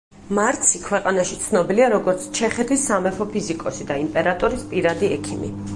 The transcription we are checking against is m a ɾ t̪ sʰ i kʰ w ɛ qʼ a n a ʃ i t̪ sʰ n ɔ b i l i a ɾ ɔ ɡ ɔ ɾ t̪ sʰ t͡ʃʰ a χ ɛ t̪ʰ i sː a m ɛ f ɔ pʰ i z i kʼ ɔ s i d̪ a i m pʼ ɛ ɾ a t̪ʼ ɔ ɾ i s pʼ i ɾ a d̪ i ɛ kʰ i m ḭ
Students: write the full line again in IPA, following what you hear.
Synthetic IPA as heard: m a ɾ t̪ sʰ i kʰ w ɛ qʼ a n a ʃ i t̪ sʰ n ɔ b i l i a ɾ ɔ ɡ ɔ ɾ t̪ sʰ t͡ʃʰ ɛ χ ɛ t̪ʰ i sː a m ɛ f ɔ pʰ i z i kʼ ɔ s i d̪ a i m pʼ ɛ ɾ a t̪ʼ ɔ ɾ i s pʼ i ɾ a d̪ i ɛ kʰ i m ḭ